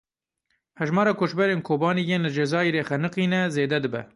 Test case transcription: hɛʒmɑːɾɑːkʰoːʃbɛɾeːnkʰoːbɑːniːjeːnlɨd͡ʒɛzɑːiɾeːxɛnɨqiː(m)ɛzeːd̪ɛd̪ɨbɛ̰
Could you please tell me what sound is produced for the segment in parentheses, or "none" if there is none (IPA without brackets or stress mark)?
n